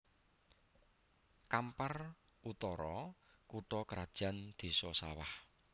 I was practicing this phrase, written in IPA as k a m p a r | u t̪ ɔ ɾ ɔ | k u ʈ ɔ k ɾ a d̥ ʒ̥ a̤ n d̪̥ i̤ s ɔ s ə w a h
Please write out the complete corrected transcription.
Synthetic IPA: k a m p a r | u t̪ ɔ ɾ ɔ | k u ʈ ɔ k ɾ a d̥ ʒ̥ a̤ n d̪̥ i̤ s ɔ s a w a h